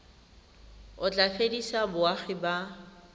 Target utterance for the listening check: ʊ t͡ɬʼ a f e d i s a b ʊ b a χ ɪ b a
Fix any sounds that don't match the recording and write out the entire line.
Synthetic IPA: ʊ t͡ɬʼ a f e d i s a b ʊ a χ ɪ b a